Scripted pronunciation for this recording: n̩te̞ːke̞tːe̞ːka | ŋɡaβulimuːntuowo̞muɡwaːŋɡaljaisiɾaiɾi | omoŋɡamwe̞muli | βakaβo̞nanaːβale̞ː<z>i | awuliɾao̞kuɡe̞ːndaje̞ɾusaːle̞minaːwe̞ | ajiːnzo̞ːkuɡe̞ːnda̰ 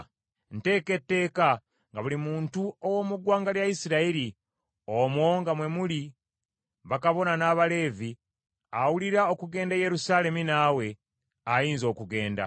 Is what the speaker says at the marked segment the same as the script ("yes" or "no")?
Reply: no